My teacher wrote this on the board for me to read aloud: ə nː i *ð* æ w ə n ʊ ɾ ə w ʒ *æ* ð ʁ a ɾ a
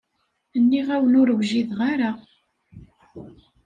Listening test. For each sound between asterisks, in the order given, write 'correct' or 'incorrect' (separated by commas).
incorrect, incorrect